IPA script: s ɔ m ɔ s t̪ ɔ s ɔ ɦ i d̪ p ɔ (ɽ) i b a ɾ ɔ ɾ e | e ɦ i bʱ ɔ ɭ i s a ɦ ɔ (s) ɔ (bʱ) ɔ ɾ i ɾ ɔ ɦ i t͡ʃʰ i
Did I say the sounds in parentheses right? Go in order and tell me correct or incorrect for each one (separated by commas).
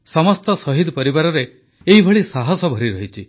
incorrect, correct, correct